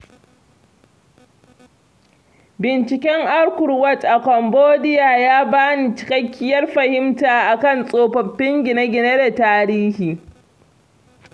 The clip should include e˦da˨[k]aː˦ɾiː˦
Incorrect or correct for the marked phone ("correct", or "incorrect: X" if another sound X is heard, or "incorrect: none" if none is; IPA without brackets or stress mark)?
incorrect: t